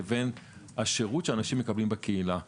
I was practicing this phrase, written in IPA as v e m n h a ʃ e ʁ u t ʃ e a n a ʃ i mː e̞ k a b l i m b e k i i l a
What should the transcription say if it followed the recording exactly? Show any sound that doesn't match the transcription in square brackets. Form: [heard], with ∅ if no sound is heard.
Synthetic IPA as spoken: v e [∅] n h a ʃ e ʁ u t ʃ e a n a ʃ i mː e̞ k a b l i m b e k [e] i l a